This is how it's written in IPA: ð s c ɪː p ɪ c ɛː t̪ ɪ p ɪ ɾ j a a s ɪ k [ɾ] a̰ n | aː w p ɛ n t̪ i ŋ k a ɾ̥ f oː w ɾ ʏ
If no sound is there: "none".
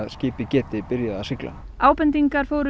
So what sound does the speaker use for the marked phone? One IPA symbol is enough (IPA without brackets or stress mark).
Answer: l